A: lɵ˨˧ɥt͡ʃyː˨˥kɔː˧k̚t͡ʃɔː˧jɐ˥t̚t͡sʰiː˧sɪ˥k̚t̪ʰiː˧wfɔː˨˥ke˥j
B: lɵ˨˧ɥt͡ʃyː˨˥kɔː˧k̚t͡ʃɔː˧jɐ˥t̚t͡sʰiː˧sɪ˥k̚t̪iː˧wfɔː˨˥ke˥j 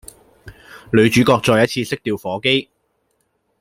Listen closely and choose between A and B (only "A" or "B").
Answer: B